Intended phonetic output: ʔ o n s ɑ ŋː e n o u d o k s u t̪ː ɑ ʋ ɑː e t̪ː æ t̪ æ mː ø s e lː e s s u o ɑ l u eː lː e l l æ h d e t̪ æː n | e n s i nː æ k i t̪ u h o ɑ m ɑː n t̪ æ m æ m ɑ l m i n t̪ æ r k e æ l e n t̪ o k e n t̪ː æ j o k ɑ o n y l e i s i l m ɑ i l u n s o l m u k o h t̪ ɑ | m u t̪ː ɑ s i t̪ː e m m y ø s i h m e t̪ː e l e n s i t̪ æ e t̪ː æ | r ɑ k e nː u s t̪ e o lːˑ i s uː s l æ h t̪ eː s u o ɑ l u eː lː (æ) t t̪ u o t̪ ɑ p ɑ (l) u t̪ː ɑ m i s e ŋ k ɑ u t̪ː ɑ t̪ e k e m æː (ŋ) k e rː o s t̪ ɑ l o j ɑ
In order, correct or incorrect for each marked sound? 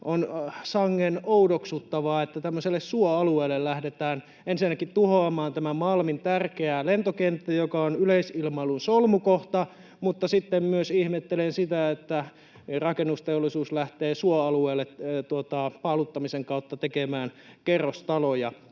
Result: incorrect: e, correct, incorrect: n

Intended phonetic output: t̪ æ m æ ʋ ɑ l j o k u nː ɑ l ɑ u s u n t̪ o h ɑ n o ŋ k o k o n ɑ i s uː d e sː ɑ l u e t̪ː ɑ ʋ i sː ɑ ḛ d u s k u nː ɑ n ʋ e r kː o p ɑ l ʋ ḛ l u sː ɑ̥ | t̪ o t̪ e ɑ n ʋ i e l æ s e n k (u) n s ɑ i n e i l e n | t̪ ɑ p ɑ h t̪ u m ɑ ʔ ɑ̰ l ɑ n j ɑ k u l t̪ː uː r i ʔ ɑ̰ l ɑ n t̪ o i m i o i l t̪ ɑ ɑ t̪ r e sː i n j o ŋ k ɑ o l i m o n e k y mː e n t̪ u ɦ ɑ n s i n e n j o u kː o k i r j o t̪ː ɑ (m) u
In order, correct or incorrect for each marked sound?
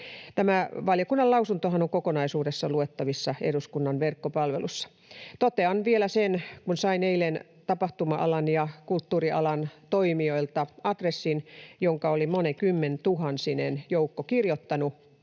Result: correct, incorrect: n

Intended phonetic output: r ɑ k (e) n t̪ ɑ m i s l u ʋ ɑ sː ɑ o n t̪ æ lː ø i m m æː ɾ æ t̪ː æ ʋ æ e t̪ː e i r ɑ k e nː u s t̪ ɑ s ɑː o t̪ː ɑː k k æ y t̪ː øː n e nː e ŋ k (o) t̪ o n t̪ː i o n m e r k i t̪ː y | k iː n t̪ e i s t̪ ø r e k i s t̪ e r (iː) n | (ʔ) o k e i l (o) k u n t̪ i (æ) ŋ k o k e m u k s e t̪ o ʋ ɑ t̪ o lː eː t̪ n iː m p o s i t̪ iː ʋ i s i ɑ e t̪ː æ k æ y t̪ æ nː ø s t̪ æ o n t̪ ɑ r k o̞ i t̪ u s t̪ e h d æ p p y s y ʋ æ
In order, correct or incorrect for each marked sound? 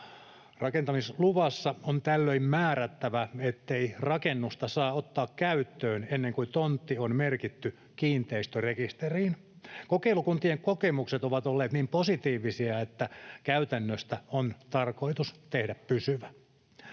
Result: correct, incorrect: u, correct, incorrect: k, incorrect: u, incorrect: e

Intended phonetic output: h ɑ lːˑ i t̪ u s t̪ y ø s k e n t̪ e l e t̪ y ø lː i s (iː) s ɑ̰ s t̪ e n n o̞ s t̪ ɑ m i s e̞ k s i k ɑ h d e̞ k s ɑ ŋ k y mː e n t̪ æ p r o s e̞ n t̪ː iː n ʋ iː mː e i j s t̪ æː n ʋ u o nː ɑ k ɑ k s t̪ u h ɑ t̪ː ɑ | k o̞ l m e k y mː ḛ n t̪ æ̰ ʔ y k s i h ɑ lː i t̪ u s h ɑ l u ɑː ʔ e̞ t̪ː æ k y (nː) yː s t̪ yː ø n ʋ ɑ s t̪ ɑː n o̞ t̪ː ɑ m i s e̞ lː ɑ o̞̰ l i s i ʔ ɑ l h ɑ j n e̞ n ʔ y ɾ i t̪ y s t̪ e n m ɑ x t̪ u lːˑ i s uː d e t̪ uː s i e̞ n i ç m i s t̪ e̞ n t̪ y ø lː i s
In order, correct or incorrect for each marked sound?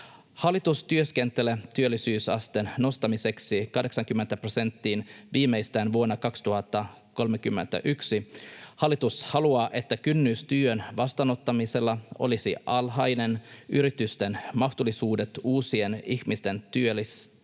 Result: incorrect: yː, correct

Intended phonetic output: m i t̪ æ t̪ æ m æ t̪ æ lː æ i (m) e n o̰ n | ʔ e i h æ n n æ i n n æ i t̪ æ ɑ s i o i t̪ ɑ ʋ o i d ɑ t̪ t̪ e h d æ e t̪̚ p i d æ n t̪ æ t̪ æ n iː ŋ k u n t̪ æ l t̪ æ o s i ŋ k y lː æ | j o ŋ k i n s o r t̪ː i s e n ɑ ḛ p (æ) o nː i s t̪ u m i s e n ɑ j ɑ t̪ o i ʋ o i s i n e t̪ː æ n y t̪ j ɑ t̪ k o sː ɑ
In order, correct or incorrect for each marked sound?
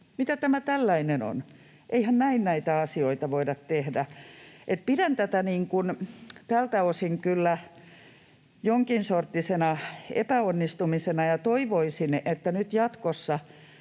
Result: incorrect: n, correct

